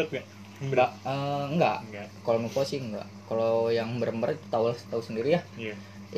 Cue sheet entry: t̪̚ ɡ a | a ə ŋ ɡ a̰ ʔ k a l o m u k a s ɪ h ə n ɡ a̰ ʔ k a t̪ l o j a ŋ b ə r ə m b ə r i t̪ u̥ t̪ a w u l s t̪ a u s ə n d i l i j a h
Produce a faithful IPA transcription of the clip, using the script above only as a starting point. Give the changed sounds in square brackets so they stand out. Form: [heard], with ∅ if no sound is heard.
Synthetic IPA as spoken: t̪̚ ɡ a | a ə ŋ ɡ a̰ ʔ k a l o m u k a s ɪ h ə [ŋ] ɡ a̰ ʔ k a [∅] l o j a ŋ b ə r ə m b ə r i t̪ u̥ t̪ a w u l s t̪ a u s ə n d i [ɾ] i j a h